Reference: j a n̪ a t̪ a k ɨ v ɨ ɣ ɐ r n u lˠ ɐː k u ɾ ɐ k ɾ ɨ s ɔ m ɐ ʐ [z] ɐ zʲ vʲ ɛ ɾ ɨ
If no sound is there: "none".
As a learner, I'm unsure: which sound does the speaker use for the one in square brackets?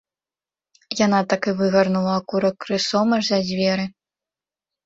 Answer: z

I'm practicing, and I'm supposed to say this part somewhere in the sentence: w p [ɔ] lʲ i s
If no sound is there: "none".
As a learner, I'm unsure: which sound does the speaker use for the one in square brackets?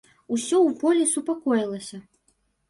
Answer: ɔ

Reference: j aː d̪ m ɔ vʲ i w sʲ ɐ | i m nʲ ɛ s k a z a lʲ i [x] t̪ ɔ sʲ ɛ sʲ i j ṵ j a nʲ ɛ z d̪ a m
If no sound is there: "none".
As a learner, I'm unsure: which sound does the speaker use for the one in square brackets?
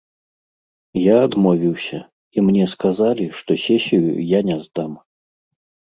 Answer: ʂ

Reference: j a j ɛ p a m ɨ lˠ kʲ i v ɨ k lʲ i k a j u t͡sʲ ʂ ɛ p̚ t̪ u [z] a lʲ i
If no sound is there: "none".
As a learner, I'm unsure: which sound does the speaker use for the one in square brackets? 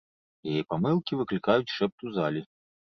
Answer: z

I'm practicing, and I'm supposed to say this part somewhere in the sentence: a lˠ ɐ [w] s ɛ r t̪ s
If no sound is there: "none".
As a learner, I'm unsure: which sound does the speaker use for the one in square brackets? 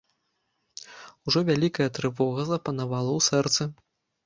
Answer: w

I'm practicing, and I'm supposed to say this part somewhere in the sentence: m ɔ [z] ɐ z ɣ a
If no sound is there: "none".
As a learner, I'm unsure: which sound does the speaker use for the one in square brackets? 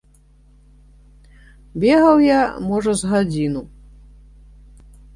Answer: ʐ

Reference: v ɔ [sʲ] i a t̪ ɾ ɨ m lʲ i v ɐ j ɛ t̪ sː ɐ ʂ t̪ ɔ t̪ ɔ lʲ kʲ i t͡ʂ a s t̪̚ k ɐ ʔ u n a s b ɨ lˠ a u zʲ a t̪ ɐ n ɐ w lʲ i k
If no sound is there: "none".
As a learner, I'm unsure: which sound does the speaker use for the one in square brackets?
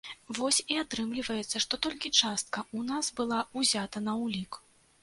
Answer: sʲ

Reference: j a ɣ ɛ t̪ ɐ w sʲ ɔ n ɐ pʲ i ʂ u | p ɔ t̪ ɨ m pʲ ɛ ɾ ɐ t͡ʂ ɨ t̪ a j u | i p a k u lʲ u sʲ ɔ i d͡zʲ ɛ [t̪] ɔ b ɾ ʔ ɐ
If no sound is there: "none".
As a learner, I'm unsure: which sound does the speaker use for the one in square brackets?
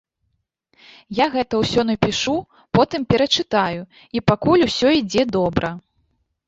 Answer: d̪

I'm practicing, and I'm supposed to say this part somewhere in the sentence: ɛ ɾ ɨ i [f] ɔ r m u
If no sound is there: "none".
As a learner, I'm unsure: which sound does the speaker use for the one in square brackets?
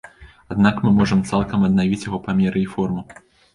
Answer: f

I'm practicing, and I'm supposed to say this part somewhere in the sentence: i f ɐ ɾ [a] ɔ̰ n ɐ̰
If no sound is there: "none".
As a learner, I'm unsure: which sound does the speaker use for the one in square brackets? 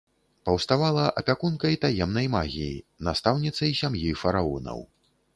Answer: a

